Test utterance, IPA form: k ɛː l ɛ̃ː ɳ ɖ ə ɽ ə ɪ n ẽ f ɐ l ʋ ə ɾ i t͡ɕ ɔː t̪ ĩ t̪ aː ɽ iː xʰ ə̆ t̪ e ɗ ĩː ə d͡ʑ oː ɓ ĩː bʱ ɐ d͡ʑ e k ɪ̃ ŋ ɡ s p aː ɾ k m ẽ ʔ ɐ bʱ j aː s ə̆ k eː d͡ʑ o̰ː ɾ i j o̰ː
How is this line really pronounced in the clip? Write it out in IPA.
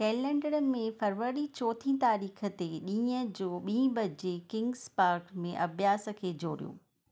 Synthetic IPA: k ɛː l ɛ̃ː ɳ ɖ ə ɽ ə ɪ m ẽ f ɐ ɾ ʋ ə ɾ i t͡ɕ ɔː t̪ʰ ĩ t̪ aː ɾ iː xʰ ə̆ t̪ e ɗ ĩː ə d͡ʑ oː ɓ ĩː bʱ ɐ d͡ʑ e k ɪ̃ ŋ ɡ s p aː ɾ k m ẽ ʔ ɐ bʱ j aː s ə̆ kʰ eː d͡ʑ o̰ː ɾ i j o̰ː